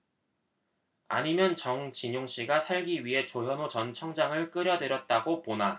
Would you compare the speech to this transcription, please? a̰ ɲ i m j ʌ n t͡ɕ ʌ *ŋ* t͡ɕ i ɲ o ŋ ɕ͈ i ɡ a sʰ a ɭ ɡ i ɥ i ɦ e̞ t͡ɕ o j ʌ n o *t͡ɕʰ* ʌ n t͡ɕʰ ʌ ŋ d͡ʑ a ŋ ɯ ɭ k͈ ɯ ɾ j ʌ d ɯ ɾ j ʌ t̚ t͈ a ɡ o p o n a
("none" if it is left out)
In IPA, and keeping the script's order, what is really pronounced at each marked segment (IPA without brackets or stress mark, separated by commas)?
ŋ, t͡ɕ